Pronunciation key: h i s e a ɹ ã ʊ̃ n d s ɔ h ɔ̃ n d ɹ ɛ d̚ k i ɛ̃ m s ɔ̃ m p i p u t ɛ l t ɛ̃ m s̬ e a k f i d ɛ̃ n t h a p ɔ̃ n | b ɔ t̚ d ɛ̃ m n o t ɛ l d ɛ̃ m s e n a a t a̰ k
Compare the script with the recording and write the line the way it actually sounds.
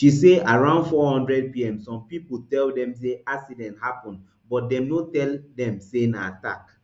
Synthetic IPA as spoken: ʃ i s e a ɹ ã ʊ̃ n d f ɔ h ɔ̃ n d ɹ ɛ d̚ p i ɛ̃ m s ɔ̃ m p i p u t ɛ l d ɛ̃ m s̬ e a k s i d ɛ̃ n t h a p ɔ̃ n | b ɔ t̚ d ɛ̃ m n o t ɛ l d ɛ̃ m s e n a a t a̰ k